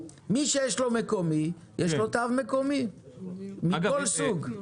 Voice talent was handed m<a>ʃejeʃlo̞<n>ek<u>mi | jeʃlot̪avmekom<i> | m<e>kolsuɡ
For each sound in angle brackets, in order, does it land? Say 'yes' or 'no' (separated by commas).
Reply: no, no, no, yes, no